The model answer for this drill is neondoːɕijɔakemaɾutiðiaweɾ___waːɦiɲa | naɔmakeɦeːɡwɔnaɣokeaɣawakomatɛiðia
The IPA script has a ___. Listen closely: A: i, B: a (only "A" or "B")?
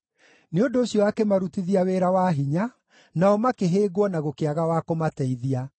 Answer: B